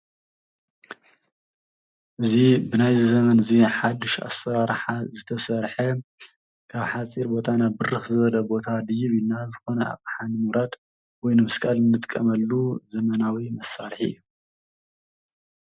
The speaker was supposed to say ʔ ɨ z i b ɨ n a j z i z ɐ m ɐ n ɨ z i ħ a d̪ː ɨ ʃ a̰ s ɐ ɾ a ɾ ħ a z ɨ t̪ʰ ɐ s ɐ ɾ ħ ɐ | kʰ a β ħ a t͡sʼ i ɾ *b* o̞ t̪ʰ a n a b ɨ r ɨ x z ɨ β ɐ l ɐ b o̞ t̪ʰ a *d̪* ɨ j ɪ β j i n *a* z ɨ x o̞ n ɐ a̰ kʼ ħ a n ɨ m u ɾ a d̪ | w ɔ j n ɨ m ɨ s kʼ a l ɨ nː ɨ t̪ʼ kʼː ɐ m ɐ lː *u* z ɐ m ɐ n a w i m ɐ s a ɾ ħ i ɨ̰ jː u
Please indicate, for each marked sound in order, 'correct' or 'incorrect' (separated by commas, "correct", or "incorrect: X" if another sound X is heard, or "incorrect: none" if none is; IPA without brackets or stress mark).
correct, correct, correct, correct